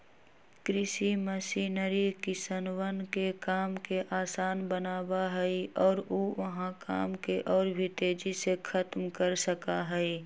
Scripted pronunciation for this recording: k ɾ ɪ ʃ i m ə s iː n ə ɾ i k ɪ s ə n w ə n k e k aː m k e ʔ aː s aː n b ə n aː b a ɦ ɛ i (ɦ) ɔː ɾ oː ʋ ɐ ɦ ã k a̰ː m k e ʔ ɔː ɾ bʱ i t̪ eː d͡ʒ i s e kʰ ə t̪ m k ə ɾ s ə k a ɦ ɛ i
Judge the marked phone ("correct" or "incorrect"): incorrect